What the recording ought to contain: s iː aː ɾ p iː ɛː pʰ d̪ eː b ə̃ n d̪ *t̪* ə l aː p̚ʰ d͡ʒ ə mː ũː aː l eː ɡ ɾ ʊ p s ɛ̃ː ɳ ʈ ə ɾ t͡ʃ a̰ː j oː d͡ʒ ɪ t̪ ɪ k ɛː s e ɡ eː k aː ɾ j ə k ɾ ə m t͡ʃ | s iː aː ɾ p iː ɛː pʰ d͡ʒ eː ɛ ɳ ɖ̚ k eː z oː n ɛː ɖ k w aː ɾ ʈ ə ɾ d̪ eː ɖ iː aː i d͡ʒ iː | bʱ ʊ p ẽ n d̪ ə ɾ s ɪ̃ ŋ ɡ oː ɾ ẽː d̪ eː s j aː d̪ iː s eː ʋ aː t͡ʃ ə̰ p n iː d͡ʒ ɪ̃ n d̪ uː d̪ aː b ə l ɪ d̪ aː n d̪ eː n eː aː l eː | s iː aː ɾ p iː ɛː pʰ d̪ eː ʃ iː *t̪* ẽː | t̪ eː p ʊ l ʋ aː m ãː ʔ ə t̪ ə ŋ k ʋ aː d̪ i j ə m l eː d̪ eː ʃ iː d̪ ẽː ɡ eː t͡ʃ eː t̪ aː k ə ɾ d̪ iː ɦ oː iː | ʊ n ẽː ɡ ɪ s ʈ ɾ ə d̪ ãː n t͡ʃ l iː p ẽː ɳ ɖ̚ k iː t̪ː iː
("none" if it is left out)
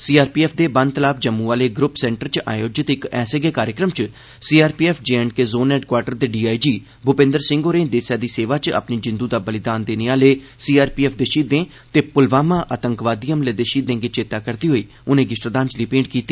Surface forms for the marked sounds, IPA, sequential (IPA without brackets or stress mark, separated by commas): t̪, d̪